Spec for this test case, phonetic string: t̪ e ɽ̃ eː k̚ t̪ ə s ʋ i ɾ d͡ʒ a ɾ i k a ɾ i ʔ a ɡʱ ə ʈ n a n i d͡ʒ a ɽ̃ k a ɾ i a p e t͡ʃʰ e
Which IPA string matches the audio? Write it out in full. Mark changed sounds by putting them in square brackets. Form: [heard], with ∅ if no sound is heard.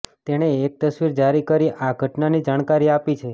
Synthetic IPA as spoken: t̪ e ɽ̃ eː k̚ t̪ ə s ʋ i ɾ d͡ʒ a ɾ i k [ə] ɾ i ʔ a ɡʱ ə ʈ n a n i d͡ʒ a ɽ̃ k a ɾ i a p [i] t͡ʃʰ e